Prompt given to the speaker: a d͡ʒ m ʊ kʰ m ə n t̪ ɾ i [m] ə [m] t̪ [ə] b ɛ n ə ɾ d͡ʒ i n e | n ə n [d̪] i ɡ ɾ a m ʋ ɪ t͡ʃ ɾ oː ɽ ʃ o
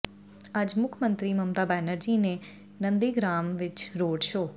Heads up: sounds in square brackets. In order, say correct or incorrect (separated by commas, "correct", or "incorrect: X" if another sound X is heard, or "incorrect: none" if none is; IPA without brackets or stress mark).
correct, correct, incorrect: a, correct